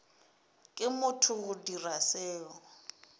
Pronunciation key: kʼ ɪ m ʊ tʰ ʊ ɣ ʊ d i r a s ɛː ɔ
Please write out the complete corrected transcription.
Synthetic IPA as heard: kʼ ɪ m ʊ tʰ ʊ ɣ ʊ d i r a s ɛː ɔ